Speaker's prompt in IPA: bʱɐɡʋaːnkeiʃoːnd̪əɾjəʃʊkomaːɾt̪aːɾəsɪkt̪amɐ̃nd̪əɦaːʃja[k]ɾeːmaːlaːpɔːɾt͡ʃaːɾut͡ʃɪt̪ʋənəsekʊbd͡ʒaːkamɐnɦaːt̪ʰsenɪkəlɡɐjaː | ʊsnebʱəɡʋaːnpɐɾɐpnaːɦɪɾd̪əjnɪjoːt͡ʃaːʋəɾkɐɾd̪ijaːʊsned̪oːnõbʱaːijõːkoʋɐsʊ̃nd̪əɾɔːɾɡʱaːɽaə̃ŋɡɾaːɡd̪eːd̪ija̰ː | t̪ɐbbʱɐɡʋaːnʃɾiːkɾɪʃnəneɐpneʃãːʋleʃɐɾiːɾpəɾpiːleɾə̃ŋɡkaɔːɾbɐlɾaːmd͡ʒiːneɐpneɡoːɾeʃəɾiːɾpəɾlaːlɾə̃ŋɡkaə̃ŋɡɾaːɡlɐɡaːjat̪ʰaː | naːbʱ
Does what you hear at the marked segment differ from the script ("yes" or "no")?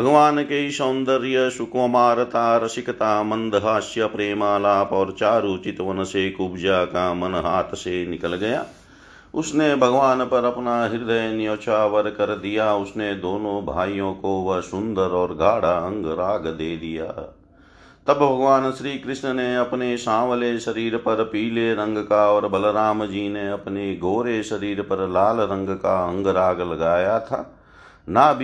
yes